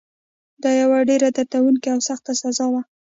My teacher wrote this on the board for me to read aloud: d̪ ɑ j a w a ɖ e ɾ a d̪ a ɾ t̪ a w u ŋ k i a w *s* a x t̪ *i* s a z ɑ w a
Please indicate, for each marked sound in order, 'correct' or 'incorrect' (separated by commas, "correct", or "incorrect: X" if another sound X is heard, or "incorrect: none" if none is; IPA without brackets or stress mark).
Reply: correct, incorrect: a